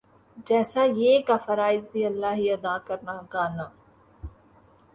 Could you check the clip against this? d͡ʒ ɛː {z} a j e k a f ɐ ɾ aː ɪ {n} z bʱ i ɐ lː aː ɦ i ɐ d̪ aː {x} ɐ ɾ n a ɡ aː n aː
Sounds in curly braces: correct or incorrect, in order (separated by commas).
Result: incorrect, incorrect, incorrect